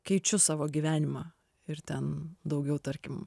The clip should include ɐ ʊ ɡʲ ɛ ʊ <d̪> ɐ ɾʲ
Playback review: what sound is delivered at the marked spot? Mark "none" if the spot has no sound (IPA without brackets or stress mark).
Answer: t̪